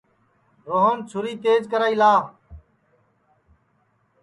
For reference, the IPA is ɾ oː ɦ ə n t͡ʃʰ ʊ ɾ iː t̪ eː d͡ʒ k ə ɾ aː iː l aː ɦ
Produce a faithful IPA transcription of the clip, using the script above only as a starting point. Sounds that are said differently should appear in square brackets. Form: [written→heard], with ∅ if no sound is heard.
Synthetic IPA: ɾ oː ɦ ə n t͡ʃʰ ʊ ɾ iː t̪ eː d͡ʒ k ə ɾ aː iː l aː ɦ